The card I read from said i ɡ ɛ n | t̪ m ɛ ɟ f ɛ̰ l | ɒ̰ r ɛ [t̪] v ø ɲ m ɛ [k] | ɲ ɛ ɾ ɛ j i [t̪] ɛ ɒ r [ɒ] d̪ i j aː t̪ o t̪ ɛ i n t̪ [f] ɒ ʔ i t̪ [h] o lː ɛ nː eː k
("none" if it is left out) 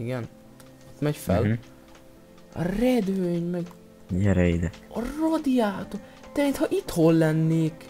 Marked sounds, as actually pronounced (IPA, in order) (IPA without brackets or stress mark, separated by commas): d̪, ɡ, d̪, o, h, h